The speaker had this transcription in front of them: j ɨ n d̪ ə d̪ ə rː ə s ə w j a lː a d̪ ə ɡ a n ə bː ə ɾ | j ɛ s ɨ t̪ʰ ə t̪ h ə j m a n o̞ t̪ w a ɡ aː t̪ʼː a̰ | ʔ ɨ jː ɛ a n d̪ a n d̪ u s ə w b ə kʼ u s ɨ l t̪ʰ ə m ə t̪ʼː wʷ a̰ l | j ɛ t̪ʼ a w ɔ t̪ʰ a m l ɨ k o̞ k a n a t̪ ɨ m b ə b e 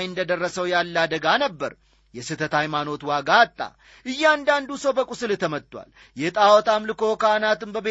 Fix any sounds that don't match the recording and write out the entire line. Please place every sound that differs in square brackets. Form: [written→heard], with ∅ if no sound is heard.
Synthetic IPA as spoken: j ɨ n d̪ ə d̪ ə rː ə s ə w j a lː a d̪ ə ɡ a n ə bː ə ɾ | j ɛ s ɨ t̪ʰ ə t̪ h [ə→a] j m a n o̞ t̪ w a ɡ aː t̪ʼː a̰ | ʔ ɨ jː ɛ a n d̪ a n d̪ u s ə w b ə kʼ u s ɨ l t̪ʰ ə m ə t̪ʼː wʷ a̰ l | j ɛ t̪ʼ a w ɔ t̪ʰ a m l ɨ k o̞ k a n a t̪ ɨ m b ə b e